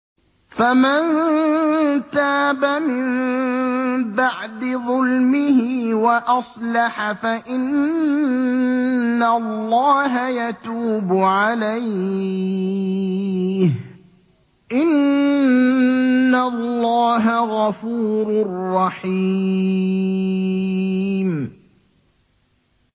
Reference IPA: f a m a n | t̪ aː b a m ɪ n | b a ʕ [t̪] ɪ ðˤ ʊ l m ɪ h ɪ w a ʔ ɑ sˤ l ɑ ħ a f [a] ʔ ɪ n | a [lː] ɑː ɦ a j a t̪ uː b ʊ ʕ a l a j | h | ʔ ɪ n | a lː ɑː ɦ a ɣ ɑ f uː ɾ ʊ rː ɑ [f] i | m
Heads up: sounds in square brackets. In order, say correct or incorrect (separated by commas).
incorrect, correct, correct, incorrect